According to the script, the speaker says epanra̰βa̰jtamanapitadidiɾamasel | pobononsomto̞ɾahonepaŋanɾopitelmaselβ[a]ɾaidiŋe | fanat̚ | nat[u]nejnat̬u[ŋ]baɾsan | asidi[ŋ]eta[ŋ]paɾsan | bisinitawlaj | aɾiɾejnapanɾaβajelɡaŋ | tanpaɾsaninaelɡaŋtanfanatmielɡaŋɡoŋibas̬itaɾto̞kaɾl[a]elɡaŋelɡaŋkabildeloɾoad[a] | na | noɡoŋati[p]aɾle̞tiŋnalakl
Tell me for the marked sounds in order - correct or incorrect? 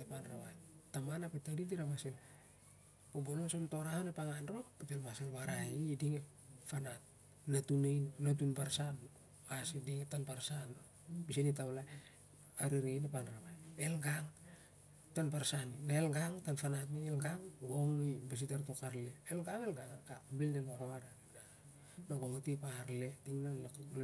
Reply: correct, correct, incorrect: n, correct, incorrect: n, incorrect: e, correct, correct

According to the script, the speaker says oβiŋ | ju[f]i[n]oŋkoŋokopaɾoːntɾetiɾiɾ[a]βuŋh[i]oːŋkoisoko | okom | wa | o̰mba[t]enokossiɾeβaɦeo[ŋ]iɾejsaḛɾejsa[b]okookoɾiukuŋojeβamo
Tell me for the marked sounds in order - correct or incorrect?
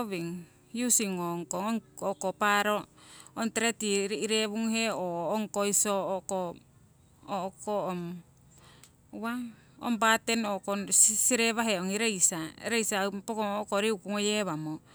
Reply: incorrect: s, incorrect: ŋ, incorrect: e, incorrect: e, correct, correct, incorrect: p

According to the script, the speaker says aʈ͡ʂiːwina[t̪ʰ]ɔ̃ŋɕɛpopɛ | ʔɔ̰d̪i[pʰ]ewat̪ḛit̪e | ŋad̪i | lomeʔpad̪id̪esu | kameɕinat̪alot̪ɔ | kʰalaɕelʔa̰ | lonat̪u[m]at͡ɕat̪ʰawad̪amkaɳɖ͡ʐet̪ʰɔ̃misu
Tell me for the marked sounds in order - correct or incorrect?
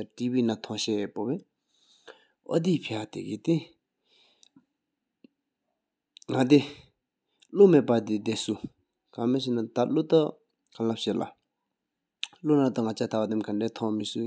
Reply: correct, correct, incorrect: ŋ

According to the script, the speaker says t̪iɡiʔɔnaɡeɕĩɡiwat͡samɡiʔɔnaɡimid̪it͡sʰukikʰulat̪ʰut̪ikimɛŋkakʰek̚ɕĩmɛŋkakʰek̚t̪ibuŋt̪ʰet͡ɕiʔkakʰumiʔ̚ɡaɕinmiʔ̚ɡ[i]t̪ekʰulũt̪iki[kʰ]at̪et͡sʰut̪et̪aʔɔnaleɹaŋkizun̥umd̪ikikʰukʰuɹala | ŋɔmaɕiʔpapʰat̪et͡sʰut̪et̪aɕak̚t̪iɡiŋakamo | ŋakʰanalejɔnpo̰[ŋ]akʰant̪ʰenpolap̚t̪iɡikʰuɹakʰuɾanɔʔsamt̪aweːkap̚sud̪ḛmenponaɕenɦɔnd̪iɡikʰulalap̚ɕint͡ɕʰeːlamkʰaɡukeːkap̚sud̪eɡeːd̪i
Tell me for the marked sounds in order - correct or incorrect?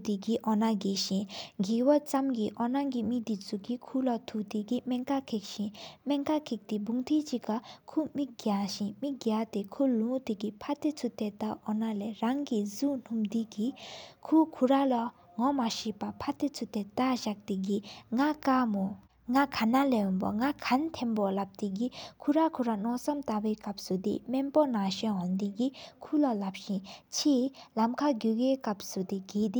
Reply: incorrect: a, incorrect: pʰ, correct

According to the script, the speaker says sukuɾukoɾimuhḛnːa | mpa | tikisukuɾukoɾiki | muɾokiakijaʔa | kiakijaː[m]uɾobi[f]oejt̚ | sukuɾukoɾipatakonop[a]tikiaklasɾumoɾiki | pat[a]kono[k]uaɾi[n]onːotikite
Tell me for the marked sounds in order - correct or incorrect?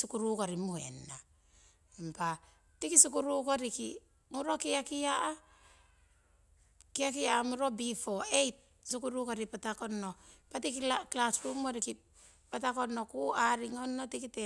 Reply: correct, correct, correct, correct, correct, incorrect: ŋ

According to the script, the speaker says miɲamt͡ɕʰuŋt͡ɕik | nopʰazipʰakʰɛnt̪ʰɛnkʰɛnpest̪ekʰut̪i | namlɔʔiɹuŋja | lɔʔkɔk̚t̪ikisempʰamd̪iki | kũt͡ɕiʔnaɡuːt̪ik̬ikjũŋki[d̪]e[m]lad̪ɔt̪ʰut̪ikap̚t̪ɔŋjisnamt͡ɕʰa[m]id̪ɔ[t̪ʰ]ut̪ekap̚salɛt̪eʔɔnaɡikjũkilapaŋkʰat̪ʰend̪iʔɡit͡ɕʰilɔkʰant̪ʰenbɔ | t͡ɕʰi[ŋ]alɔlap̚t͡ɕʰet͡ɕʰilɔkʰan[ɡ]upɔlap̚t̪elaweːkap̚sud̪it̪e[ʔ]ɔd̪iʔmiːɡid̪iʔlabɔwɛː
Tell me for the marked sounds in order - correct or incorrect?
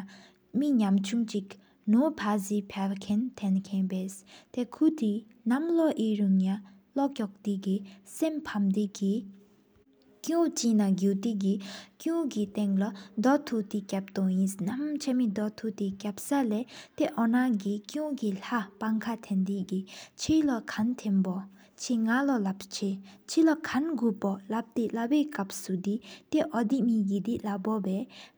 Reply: incorrect: t̪, incorrect: ŋ, correct, correct, correct, correct, correct

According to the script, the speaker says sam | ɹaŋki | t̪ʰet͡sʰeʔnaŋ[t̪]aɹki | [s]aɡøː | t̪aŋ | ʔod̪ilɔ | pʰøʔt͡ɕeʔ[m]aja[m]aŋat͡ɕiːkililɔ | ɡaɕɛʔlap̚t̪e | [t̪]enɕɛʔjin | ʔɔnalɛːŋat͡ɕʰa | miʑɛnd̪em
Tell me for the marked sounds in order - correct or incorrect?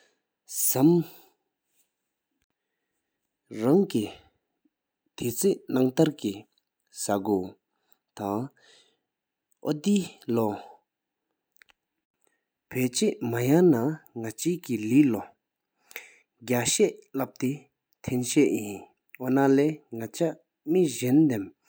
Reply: correct, correct, correct, incorrect: n, incorrect: t̪ʰ

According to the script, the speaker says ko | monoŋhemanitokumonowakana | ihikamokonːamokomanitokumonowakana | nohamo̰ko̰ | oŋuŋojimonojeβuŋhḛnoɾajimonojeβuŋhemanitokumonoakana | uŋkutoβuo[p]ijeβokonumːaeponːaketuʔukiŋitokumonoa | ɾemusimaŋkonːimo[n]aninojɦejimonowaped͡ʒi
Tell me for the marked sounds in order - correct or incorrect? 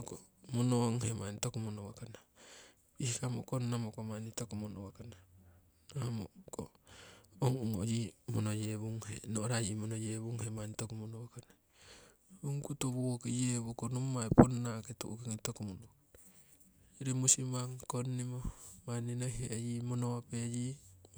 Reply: incorrect: k, incorrect: m

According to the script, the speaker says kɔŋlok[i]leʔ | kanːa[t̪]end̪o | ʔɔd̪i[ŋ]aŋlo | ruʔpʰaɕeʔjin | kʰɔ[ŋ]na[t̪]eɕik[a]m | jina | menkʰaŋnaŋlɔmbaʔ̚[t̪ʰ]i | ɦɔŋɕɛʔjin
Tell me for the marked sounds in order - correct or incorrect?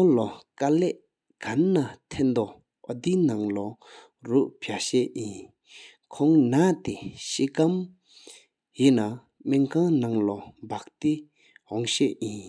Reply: incorrect: a, incorrect: t̪ʰ, incorrect: n, correct, correct, correct, incorrect: t̪

